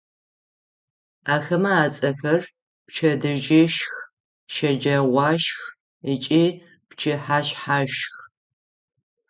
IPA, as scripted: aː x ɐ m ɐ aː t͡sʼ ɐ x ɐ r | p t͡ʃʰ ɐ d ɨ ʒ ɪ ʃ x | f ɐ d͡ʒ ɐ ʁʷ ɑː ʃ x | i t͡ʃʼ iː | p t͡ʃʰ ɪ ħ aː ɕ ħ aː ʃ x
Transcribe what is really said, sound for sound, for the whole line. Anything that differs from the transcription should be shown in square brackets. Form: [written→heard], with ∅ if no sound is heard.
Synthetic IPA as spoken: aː x ɐ m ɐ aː t͡sʼ ɐ x ɐ r | p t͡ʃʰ ɐ d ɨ ʒ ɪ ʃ x | [f→ʃ] ɐ d͡ʒ ɐ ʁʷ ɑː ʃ x | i t͡ʃʼ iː | p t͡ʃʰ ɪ ħ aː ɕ ħ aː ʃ x